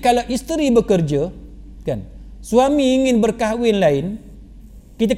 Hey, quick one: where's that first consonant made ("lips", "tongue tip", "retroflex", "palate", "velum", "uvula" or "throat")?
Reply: velum